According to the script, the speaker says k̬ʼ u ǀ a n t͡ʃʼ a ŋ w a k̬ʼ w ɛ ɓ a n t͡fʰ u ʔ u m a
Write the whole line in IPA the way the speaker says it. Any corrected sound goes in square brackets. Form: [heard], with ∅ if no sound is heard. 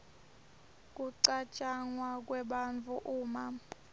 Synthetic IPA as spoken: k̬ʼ u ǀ a [∅] t͡ʃʼ a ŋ w a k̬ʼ w ɛ ɓ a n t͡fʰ u ʔ [uː] m a